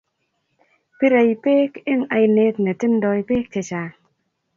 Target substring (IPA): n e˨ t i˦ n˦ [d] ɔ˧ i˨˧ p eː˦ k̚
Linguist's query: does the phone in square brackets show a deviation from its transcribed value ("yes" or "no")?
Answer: no